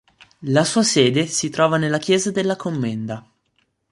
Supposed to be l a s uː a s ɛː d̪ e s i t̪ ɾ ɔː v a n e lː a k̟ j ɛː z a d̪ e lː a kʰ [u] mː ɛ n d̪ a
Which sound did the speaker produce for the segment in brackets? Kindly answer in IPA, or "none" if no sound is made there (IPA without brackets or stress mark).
o